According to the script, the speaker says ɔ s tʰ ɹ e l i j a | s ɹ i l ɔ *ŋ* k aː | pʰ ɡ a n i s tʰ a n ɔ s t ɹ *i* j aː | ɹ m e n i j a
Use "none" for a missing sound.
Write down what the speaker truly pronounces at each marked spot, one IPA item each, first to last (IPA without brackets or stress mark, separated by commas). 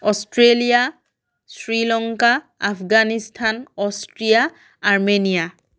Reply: ŋ, i